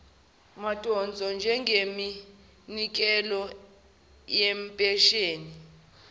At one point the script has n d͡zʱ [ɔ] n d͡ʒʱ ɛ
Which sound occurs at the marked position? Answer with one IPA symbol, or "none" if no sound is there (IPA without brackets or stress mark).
ɔ